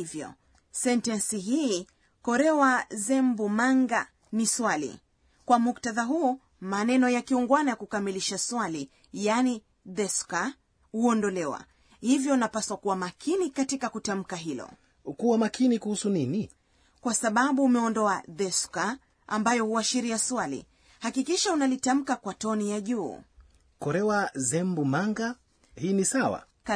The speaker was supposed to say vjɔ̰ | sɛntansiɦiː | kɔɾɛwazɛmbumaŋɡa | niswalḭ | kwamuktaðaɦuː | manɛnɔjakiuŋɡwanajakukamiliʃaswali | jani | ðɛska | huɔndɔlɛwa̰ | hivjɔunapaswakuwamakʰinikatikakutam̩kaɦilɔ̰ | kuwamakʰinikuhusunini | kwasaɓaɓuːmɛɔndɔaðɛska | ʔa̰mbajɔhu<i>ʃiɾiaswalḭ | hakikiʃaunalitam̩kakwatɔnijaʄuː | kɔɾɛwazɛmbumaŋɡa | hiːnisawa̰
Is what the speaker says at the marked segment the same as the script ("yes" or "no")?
no